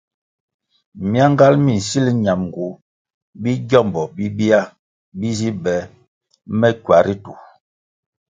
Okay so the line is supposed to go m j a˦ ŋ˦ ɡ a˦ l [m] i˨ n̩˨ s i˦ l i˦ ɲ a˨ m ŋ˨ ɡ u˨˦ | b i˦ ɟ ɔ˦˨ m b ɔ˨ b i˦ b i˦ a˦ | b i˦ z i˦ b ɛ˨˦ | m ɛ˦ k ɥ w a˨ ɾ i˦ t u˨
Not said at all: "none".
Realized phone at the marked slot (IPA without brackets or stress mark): m